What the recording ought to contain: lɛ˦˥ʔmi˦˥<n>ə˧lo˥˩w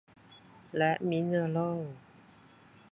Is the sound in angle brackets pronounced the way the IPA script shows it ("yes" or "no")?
yes